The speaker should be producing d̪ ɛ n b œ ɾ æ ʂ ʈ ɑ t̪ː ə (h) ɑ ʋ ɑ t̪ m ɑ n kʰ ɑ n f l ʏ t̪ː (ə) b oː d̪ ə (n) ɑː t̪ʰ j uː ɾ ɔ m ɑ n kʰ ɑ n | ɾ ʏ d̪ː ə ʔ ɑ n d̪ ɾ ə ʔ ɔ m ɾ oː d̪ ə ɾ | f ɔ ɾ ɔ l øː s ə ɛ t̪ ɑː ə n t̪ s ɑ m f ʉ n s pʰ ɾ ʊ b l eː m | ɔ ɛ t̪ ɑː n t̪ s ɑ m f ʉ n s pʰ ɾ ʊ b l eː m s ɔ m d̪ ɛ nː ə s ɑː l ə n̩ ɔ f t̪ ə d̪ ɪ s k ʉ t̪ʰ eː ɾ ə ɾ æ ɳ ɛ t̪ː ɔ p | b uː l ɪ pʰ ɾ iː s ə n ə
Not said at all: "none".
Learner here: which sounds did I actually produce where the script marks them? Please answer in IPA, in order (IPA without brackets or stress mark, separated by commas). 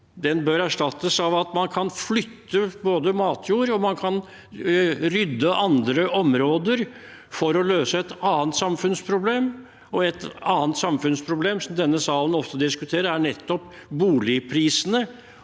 s, ə, m